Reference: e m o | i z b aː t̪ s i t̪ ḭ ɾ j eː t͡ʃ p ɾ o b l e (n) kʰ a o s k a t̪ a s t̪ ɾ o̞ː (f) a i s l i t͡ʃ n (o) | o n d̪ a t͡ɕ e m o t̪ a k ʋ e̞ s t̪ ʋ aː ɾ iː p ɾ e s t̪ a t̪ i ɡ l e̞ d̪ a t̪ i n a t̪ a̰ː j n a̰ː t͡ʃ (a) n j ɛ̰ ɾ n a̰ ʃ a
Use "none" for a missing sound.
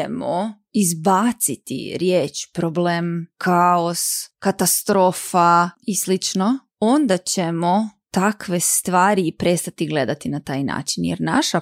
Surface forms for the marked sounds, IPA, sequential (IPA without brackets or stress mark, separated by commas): m, f, o, i